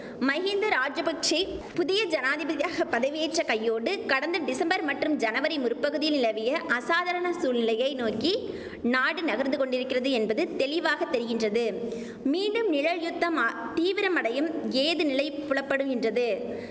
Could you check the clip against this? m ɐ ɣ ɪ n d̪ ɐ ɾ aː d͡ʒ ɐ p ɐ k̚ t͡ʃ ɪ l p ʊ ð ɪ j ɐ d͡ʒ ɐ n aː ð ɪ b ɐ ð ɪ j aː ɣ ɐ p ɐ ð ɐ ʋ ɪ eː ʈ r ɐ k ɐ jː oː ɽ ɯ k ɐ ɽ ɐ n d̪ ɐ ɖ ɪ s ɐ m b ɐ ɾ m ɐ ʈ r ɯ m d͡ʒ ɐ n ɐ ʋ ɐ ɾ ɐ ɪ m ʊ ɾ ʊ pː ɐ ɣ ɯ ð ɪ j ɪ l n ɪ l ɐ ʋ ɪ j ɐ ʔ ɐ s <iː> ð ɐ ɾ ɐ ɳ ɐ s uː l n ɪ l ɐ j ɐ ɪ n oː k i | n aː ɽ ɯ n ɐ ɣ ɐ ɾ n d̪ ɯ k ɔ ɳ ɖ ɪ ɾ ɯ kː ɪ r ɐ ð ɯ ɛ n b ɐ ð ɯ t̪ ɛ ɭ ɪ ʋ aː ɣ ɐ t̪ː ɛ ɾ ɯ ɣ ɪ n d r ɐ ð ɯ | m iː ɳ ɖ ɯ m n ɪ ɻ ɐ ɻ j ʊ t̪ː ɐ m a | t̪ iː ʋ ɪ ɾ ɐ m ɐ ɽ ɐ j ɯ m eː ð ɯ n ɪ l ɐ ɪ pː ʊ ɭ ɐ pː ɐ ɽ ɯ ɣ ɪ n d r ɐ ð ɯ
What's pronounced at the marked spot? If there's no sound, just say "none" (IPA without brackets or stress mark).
aː